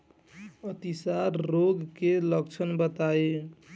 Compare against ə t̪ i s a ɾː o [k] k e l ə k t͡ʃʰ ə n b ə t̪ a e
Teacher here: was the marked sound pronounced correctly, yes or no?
no